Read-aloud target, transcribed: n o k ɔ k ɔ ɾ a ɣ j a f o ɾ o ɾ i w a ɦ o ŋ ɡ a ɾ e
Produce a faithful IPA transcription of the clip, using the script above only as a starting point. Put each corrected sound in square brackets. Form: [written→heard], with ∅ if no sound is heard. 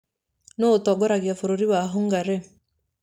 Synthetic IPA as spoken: n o [k→t] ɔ [k→ɡ] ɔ ɾ a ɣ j a f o ɾ o ɾ i w a ɦ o ŋ ɡ a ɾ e

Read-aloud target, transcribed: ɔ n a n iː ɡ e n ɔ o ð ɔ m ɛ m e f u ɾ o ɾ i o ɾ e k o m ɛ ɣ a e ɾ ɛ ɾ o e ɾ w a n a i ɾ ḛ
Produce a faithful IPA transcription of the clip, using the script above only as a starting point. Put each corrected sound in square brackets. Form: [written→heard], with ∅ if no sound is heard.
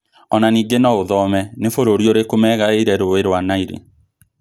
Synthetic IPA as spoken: ɔ n a n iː ɡ e n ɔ o ð ɔ m ɛ [m→n] e f [u→o] ɾ o ɾ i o ɾ e k o m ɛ ɣ a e ɾ ɛ ɾ o e ɾ w a n a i ɾ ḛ

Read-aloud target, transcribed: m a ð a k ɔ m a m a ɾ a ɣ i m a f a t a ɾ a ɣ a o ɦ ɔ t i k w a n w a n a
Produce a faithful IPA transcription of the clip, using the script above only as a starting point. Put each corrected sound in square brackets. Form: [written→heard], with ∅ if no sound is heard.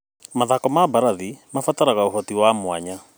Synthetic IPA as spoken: m a ð a k ɔ m a [m→b] a ɾ a [ɣ→ð] i m a f a t a ɾ a ɣ a o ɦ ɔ t i [k→∅] w a [n→m] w a [n→ɲ] a

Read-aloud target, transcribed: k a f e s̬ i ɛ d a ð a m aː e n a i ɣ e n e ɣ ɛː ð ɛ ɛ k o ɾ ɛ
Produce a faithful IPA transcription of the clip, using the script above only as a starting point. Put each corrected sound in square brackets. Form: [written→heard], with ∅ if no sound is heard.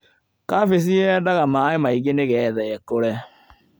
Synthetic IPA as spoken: k a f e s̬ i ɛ d a [ð→ɣ] a m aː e [n→m] a i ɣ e n e ɣ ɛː ð ɛ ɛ k o ɾ ɛ

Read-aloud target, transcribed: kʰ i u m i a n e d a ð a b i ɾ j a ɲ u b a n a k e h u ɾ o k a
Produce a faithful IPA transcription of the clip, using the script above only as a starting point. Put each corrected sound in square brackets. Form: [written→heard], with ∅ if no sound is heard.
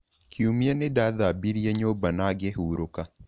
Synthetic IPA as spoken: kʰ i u m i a n e d a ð a b i ɾ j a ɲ [u→o] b a n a [k→ɡ] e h u ɾ o k a

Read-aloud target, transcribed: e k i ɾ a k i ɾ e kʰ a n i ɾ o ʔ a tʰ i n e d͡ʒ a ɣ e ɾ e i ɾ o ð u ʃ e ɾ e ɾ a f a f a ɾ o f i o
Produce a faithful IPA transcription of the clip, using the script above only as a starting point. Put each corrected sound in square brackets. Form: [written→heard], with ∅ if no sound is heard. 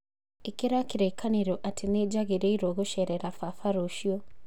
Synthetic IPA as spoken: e k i ɾ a k i ɾ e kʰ a n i ɾ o ʔ a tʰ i n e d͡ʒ a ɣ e ɾ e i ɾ o [ð→ɣ] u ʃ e ɾ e ɾ a f a f a ɾ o [f→ʃ] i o

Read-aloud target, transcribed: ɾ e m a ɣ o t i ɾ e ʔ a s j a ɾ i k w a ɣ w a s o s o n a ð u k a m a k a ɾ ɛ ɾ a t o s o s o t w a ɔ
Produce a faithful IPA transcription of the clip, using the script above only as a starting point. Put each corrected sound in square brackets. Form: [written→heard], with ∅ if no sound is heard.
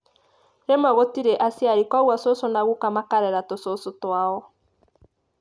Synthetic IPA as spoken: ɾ e m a ɣ o t i ɾ e ʔ a s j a ɾ i k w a ɣ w a s o s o n a [ð→ɣ] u k a m a k a ɾ ɛ ɾ a t o s o s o t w a ɔ

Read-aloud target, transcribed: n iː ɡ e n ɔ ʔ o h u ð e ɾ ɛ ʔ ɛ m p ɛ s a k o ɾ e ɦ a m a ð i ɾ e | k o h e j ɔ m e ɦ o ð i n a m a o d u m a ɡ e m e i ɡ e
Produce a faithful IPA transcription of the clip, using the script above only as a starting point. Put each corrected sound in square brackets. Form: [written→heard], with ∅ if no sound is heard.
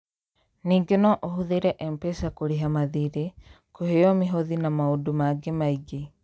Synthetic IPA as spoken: n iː ɡ e n ɔ ʔ o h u ð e ɾ ɛ ʔ ɛ m p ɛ s a k o ɾ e ɦ a m a ð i ɾ e | k o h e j ɔ m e ɦ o ð i n a m a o d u m a ɡ e m [e→a] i ɡ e

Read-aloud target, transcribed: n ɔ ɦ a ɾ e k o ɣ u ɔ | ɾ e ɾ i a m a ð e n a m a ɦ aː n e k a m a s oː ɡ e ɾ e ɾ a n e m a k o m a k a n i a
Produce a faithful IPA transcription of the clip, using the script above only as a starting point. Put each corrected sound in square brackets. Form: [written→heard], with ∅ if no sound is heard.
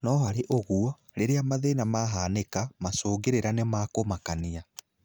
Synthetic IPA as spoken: n ɔ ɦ a ɾ e [k→ʔ] o ɣ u ɔ | ɾ e ɾ [i→e] a m a ð e n a m a ɦ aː n e k a m a s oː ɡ e ɾ e ɾ a n e m a k o m a k a n i a

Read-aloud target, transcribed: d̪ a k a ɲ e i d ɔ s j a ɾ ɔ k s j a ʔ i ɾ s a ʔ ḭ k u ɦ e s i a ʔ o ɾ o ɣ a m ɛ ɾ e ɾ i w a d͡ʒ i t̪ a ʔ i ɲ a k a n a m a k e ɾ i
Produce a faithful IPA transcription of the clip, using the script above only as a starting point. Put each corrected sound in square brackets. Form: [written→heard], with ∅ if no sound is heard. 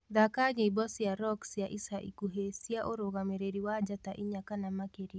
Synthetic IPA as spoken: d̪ a k a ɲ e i [d→b] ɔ s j a ɾ ɔ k s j a ʔ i [ɾ→∅] s a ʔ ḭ k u ɦ e s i a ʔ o ɾ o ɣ a m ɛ ɾ e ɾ i w a d͡ʒ [i→a] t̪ a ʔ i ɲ a k a n a m a k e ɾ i

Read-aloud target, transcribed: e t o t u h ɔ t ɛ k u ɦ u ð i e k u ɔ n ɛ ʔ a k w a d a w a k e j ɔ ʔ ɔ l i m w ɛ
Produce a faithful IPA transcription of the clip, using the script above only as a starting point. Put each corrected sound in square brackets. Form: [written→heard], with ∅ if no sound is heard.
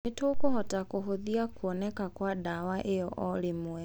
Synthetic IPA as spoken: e t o [t→k] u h ɔ t [ɛ→a] k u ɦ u ð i [e→a] k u ɔ n ɛ [ʔ→k] a k w a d a w a [k→ʔ] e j ɔ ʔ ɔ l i m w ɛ

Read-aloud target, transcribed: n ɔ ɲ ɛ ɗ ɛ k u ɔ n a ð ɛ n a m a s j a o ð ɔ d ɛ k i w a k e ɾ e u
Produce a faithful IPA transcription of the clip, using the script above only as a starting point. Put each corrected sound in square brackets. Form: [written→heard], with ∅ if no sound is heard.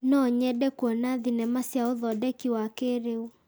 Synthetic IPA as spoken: n ɔ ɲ ɛ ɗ ɛ k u ɔ n a ð [ɛ→i] n [a→ɛ] m a s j a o ð ɔ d ɛ k i w a k e ɾ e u

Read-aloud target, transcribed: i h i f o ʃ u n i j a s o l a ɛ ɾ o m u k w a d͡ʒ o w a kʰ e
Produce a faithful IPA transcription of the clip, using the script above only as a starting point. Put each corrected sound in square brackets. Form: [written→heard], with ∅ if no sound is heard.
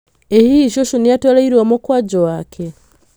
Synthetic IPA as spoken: [i→e] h i [f→ʃ] o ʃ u n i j a [s→t] o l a [ɛ→i] ɾ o m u k w a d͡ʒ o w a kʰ e

